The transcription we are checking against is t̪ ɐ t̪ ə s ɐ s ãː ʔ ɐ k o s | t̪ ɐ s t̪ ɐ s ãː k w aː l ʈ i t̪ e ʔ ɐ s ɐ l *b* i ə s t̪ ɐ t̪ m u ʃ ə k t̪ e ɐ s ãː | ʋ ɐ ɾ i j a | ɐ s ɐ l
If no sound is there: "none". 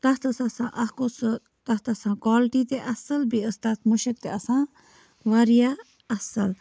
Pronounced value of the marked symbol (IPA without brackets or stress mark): b